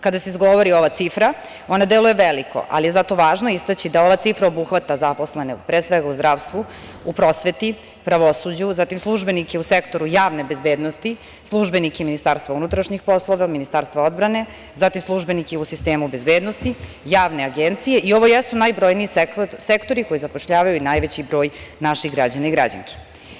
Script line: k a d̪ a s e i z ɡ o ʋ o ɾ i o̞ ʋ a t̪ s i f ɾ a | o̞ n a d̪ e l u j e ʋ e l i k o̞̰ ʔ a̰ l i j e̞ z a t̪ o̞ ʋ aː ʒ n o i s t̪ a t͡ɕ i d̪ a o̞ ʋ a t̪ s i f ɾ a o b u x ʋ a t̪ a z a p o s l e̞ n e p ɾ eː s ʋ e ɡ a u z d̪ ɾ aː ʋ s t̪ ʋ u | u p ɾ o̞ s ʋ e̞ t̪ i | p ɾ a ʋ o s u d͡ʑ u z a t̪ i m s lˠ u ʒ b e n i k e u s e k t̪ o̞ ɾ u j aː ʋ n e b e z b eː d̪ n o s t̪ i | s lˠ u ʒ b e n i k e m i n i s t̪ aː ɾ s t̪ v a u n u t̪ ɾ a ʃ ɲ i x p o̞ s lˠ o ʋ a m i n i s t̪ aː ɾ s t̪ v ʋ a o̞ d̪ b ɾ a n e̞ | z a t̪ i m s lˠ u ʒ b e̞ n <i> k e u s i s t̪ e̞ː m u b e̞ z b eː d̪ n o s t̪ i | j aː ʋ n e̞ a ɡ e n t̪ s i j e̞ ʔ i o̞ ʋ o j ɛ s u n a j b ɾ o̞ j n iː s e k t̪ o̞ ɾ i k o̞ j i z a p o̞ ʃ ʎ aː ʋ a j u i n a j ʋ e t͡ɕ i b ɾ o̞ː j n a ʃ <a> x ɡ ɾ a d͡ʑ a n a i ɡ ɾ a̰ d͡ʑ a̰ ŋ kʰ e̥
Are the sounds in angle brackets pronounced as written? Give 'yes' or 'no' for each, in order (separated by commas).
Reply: yes, no